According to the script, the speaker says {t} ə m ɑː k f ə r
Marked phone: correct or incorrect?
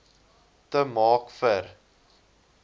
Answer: correct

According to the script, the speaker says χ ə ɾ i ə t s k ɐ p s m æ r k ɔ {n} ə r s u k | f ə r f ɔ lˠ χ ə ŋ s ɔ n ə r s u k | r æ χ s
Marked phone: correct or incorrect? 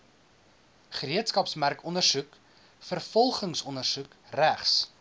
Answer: correct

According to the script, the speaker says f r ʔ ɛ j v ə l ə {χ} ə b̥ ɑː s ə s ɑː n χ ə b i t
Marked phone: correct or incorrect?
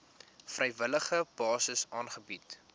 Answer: correct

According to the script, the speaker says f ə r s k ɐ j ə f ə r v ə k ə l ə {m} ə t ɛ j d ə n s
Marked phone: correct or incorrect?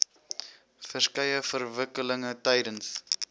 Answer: incorrect: ŋ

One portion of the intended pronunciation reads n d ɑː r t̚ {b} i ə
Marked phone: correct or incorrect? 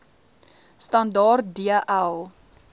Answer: incorrect: d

